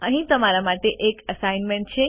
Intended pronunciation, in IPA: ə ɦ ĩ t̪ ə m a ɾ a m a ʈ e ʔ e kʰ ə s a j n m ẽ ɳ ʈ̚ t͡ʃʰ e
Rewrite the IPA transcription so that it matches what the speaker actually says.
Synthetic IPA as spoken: ə ɦ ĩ t̪ ə m a ɾ a m a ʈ e ʔ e k ə s a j n m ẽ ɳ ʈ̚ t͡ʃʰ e